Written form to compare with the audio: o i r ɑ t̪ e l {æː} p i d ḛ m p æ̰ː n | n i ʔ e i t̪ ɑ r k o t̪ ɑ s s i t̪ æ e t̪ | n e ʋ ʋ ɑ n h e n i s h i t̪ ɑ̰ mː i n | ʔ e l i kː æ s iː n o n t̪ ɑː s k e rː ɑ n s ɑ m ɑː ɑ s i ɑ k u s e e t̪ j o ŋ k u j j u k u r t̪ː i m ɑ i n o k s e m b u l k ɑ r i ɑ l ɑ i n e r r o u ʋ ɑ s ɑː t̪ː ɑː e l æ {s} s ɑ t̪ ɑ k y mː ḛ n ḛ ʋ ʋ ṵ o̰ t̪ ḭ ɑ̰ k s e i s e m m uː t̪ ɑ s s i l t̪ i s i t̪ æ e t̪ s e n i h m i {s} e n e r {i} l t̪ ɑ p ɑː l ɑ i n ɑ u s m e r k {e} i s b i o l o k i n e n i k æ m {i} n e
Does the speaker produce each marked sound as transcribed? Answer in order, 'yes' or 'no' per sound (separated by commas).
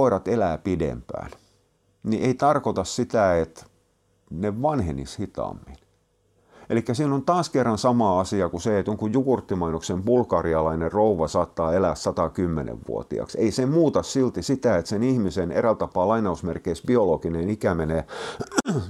yes, yes, yes, no, yes, no